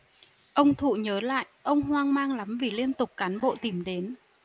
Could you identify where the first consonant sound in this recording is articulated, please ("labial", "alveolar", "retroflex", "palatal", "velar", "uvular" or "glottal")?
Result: glottal